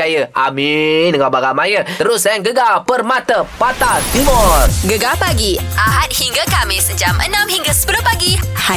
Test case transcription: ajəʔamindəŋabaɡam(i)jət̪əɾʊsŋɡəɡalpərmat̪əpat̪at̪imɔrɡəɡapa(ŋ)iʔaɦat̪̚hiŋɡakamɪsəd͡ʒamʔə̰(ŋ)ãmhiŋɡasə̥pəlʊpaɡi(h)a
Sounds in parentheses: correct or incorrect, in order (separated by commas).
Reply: incorrect, incorrect, incorrect, correct